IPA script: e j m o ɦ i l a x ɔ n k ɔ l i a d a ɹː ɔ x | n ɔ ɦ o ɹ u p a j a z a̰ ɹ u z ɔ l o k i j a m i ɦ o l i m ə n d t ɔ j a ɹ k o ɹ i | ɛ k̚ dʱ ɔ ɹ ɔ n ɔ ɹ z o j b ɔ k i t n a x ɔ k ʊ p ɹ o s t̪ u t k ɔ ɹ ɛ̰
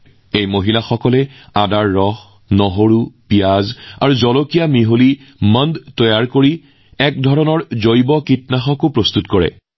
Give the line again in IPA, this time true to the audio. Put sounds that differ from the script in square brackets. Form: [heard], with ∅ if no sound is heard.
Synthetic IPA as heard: e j m o ɦ i l a x ɔ [∅] k ɔ l [ɛ] a d a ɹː ɔ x | n ɔ ɦ o ɹ u p [i] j a z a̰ ɹ u z ɔ l o k i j a m i ɦ o l i m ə n d t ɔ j a ɹ k o ɹ i | ɛ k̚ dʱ ɔ ɹ ɔ n ɔ ɹ z o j b ɔ k i t n a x ɔ k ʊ p ɹ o s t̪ u t k ɔ ɹ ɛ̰